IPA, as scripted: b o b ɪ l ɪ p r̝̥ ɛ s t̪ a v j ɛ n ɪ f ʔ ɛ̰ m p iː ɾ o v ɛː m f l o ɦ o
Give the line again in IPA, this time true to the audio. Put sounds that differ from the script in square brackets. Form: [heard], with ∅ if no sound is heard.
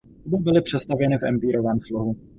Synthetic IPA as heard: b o b ɪ l ɪ p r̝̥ ɛ s t̪ a v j ɛ n ɪ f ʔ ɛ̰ m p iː ɾ o v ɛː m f l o ɦ [u]